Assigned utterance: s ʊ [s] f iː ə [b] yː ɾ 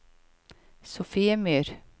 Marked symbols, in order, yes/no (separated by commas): no, no